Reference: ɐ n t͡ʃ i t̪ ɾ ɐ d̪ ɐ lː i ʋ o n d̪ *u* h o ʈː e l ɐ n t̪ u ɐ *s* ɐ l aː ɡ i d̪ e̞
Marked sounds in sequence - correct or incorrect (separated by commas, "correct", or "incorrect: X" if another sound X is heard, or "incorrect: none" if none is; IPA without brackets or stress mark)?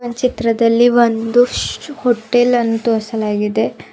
correct, correct